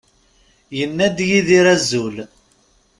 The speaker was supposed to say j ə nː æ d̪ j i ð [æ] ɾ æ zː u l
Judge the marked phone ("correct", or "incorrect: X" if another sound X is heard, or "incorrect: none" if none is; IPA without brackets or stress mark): incorrect: i